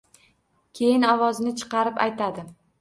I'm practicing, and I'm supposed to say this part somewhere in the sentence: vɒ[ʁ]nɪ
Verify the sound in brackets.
incorrect: z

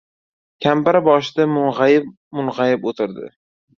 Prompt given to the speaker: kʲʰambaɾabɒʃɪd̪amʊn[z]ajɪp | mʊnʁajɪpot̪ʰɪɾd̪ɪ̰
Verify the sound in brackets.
incorrect: ʁ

